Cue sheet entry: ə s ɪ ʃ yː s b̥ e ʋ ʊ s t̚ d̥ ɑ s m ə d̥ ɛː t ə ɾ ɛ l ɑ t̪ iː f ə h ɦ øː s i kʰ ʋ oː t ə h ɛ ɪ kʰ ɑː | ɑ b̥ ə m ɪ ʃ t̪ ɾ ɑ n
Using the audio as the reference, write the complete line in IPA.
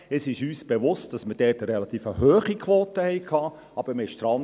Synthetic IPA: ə s ɪ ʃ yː s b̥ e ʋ ʊ s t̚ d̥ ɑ s m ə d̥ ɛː t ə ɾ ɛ l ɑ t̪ iː f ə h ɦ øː χ i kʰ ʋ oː t ə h ɛ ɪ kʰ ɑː | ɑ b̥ ə m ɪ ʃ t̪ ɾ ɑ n